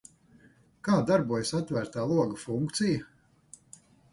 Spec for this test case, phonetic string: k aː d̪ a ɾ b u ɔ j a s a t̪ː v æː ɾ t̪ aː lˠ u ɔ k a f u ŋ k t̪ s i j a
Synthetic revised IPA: k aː d̪ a ɾ b u ɔ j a s a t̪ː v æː ɾ t̪ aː lˠ u ɔ ɡ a f u ŋ k t̪ s i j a